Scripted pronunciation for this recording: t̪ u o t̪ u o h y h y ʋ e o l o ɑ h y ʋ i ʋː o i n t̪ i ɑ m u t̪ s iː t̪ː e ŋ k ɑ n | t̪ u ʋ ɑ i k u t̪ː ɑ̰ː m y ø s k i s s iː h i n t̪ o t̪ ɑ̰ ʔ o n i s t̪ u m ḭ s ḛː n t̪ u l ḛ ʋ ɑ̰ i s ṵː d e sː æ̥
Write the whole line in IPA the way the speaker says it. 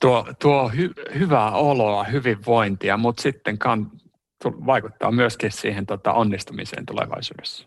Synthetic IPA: t̪ u o t̪ u o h y h y ʋ æ o l o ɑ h y ʋ i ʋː o i n t̪ i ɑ m u t̪ s i t̪ː e ŋ k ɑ n | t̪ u ʋ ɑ i k u t̪ː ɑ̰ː m y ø s k i s s iː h e n t̪ o t̪ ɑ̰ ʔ o nː i s t̪ u m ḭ s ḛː n t̪ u l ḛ ʋ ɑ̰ i s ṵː d e sː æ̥